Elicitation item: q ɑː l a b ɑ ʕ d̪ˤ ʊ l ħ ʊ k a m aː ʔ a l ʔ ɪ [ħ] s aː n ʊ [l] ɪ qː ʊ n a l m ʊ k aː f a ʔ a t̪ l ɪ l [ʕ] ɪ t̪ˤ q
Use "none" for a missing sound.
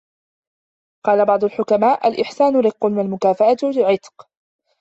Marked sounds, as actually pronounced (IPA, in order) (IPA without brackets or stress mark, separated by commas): ħ, ɾ, ʕ